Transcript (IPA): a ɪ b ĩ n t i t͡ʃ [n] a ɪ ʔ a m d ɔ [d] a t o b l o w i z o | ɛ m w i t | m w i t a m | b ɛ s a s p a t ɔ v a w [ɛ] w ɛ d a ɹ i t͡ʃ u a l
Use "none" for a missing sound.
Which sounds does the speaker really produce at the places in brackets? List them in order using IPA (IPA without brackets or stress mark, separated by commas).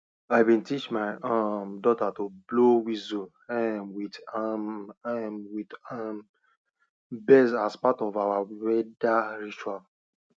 m, t, a